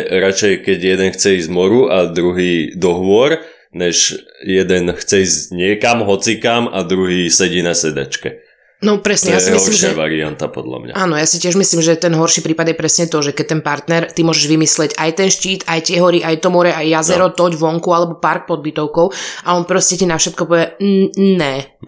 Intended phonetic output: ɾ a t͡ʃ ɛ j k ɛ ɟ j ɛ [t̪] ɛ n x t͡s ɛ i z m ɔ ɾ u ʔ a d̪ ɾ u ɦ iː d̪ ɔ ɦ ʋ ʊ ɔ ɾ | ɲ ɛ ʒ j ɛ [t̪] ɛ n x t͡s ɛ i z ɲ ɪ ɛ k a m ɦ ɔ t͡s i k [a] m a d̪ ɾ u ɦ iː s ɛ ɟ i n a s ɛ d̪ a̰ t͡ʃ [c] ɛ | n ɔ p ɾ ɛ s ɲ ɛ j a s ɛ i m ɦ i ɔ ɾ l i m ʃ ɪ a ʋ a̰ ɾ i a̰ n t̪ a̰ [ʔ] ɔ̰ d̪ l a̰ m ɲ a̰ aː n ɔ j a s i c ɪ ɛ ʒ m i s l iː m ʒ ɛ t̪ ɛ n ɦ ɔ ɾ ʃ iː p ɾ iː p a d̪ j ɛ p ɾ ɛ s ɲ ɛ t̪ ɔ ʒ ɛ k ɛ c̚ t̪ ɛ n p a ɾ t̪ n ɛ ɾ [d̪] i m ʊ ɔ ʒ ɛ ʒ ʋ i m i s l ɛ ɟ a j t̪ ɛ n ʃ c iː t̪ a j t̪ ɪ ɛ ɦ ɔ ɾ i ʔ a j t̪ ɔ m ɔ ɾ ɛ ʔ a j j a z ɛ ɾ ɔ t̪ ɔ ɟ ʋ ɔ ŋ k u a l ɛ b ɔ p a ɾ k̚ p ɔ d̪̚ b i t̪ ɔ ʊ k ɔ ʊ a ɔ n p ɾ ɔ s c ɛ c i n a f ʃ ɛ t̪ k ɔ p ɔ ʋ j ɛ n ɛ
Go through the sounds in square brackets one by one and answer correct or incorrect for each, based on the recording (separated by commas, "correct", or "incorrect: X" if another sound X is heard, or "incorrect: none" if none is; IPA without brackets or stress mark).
incorrect: d̪, incorrect: d̪, correct, incorrect: k, incorrect: p, incorrect: t̪